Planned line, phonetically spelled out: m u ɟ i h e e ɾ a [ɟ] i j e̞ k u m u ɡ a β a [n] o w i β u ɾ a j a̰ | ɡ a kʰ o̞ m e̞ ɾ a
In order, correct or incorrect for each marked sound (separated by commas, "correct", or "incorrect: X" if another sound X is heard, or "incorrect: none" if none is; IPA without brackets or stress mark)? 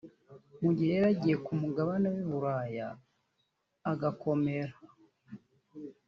correct, correct